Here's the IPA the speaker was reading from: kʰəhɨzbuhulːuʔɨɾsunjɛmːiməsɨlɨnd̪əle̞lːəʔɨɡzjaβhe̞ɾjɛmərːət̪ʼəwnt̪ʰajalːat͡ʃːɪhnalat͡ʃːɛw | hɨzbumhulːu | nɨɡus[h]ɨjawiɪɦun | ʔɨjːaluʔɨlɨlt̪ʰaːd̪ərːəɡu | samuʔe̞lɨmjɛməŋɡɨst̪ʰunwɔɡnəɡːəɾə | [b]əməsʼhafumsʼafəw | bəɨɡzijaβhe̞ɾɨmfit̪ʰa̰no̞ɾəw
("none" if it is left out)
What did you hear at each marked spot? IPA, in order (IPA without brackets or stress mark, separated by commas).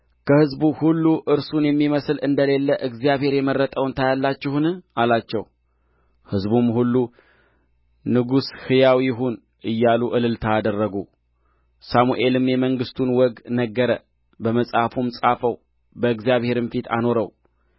h, b